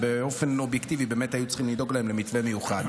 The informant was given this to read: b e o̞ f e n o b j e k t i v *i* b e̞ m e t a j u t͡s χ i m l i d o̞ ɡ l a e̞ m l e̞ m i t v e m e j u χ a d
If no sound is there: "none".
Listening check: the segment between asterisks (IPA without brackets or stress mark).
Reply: i